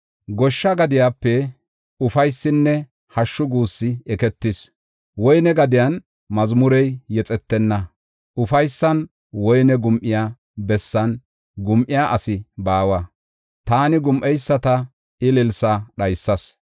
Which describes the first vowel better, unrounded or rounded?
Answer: rounded